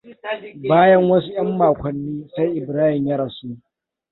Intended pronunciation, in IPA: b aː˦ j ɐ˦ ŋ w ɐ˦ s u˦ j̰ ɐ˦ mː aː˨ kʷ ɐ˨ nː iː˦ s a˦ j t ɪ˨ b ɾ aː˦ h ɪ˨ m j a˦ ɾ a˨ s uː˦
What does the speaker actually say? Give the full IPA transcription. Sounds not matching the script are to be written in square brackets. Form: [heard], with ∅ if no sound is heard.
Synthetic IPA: b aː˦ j ɐ˦ ŋ w ɐ˦ s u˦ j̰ ɐ˦ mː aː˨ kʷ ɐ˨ nː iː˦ s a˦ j [ʔ] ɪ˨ b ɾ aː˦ h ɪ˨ m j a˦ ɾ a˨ s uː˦